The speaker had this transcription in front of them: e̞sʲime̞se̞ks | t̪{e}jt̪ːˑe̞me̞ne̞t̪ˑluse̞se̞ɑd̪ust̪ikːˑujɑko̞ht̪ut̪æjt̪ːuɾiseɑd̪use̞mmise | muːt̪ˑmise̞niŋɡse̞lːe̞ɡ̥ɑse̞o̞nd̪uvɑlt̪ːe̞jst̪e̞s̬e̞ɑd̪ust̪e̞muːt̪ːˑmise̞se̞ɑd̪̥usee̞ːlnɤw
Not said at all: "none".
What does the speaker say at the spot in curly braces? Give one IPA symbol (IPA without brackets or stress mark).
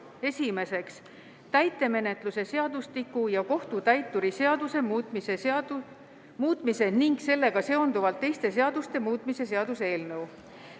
æ